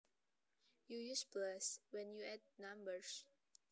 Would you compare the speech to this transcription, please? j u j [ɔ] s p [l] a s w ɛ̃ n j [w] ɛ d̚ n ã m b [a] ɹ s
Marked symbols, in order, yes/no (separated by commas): no, yes, no, no